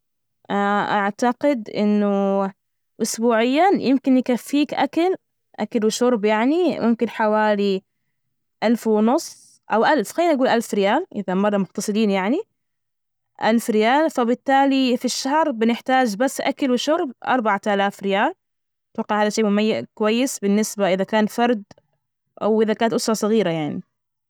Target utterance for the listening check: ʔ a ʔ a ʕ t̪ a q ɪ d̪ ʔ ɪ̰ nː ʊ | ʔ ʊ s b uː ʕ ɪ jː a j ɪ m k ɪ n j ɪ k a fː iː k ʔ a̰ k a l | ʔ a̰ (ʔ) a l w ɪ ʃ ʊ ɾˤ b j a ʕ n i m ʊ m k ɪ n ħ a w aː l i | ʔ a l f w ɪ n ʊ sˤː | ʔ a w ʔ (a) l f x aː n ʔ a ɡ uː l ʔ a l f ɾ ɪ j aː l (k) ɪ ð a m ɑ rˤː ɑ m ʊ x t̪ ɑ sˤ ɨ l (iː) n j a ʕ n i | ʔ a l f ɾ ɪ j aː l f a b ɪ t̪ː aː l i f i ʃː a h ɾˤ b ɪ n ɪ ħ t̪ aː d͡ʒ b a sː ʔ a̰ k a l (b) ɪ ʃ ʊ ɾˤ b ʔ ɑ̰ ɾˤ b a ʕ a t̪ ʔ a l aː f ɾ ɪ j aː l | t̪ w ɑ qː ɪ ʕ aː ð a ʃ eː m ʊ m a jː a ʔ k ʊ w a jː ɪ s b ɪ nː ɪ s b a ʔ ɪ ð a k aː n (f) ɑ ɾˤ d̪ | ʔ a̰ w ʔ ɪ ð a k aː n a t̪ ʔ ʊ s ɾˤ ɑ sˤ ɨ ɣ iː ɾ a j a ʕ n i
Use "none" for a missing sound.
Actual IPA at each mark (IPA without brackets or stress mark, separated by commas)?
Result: k, a, ʔ, iː, w, f